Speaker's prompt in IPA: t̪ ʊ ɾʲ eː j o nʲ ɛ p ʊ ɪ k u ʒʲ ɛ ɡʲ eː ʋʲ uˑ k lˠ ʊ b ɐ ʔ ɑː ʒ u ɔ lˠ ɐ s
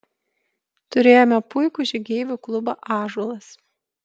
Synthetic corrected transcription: t̪ ʊ ɾʲ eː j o mʲ ɛ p ʊ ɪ k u ʒʲ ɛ ɡʲ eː ʋʲ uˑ k lˠ ʊ b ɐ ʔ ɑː ʒ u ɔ lˠ ɐ s